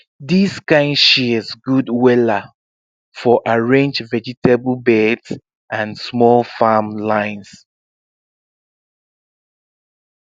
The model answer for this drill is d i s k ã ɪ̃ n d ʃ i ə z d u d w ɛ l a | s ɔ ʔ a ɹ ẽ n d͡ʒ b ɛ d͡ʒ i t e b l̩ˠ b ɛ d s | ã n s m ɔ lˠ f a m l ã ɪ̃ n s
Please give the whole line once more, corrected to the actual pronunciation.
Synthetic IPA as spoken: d i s k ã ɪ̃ n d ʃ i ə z ɡ u d w ɛ l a | f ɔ ʔ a ɹ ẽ n d͡ʒ v ɛ d͡ʒ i t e b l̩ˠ b ɛ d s | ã n s m ɔ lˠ f a m l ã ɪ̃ n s